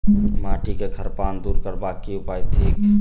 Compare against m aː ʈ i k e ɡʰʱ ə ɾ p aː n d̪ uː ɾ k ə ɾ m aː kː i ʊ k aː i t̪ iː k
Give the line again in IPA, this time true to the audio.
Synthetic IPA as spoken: m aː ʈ i k e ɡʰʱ ə ɾ p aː n d̪ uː ɾ k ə ɾ b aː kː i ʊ p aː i t̪ʰ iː k